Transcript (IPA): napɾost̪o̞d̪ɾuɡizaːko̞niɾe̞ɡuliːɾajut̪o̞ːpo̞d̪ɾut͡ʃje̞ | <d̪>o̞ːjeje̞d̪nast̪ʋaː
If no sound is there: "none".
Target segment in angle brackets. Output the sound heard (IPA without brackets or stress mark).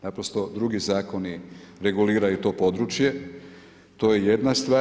t̪